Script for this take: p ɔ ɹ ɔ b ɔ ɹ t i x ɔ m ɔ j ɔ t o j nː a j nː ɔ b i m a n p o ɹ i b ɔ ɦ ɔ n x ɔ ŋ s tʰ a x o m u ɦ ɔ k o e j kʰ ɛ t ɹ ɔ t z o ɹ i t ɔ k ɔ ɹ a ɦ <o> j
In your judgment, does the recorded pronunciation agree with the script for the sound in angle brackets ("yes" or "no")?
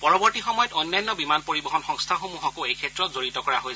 yes